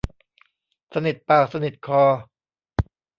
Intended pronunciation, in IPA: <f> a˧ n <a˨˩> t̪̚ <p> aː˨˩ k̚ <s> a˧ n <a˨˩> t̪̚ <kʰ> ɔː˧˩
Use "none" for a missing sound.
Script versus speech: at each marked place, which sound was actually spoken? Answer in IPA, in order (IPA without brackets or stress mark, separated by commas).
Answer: s, i˨˩, p, s, i˨˩, kʰ